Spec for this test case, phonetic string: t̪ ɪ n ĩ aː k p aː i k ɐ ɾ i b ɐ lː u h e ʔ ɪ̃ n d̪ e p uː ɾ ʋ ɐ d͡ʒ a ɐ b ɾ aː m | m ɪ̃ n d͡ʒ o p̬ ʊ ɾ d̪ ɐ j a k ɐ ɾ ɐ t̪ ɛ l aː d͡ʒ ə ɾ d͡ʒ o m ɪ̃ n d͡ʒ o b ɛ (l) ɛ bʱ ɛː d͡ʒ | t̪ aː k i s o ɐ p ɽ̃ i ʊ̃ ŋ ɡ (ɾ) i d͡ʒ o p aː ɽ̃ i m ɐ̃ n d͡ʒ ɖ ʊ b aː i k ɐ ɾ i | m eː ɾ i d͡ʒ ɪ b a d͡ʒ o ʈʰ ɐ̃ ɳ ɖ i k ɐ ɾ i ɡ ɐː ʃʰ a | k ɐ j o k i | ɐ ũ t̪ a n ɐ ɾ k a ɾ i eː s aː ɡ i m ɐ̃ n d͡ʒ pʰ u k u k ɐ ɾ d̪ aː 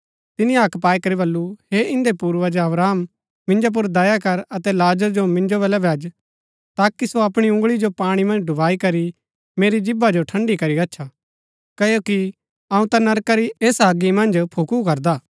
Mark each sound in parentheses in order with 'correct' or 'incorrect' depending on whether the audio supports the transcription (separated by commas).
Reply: correct, incorrect